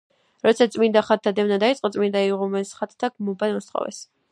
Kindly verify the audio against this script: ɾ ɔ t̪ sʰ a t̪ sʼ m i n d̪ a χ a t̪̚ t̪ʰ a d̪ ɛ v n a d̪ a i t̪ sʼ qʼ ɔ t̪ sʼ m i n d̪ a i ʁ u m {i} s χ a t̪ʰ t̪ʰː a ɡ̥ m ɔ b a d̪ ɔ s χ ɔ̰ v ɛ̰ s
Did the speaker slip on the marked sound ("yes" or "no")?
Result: yes